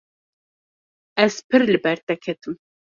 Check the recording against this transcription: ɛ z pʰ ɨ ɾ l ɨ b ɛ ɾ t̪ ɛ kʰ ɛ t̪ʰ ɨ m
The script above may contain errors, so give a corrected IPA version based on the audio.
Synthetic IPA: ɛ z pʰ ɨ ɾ l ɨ b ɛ ɾ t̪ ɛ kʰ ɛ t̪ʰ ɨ m